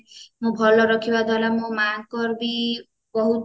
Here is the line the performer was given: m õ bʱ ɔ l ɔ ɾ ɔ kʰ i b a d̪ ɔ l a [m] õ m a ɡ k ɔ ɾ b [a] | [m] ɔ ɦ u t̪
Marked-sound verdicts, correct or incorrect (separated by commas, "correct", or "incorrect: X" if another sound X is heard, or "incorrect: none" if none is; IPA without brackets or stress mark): correct, incorrect: i, incorrect: b